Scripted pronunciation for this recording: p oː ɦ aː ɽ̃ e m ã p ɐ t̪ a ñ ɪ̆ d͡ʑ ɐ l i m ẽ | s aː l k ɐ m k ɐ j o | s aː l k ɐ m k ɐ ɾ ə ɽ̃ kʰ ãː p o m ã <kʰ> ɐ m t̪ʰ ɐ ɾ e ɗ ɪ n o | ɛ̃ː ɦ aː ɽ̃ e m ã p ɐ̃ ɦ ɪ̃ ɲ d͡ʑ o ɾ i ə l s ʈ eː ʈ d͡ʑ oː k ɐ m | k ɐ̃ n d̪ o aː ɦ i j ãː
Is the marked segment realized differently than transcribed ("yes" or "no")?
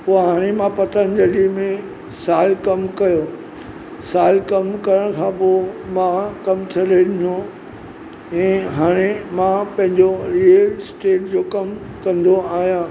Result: yes